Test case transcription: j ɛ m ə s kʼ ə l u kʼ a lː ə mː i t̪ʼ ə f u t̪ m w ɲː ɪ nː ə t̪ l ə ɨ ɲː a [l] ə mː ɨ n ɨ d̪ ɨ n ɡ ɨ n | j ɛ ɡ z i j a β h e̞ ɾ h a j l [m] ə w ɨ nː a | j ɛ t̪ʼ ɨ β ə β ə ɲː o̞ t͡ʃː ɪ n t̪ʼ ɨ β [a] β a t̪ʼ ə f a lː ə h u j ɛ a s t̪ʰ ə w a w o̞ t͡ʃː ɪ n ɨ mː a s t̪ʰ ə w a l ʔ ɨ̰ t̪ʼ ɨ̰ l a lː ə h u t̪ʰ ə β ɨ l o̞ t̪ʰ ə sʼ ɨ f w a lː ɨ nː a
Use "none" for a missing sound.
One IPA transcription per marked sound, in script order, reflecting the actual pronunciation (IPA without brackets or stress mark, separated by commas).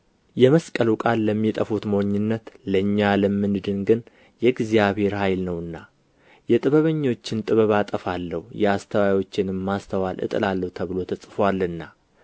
l, n, ə